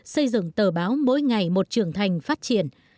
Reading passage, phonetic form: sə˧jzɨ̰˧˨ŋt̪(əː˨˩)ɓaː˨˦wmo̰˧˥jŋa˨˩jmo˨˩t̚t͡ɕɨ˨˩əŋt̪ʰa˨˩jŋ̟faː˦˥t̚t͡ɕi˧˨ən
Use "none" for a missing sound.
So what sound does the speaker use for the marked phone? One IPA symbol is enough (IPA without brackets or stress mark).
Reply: əː˨˩